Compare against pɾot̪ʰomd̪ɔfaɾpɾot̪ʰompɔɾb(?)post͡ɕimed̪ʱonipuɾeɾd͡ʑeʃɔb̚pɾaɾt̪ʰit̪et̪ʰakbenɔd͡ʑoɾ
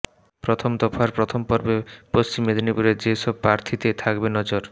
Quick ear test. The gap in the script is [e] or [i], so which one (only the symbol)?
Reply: e